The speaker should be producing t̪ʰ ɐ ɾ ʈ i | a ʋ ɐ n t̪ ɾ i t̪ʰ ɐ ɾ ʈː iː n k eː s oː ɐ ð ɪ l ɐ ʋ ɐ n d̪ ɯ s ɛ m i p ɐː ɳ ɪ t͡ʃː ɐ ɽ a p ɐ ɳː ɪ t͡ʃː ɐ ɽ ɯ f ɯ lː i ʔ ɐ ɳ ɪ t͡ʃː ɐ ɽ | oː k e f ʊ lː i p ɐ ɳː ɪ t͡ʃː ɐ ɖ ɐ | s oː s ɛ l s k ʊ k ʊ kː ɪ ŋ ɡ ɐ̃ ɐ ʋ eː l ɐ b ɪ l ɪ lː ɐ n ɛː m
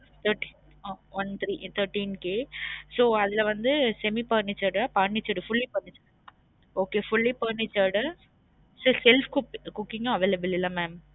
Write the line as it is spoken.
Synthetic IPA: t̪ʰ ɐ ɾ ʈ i | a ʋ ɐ n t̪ ɾ i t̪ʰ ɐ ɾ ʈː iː n k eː s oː ɐ ð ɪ l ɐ ʋ ɐ n d̪ ɯ s ɛ m i p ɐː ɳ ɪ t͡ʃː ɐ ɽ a p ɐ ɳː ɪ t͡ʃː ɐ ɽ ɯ f ʊ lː i p ɐ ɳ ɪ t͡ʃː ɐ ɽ | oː k e f ʊ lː i p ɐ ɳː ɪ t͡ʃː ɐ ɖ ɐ | s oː s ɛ l f k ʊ k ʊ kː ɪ ŋ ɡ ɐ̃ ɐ ʋ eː l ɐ b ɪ l ɪ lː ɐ m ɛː m